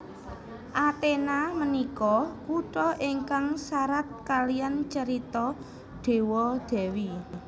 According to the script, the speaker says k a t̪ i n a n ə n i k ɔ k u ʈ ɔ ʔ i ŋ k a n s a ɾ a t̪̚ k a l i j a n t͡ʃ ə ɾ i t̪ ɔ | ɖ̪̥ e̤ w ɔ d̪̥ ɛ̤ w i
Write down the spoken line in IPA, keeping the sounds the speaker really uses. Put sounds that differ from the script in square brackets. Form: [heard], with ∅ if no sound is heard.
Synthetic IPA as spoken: [ʔ] a t̪ [e] n a [m] ə n i k ɔ k u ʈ ɔ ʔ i ŋ k a [ŋ] s a ɾ a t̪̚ k a l i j a n t͡ʃ ə ɾ i t̪ ɔ | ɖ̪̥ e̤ w ɔ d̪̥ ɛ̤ w i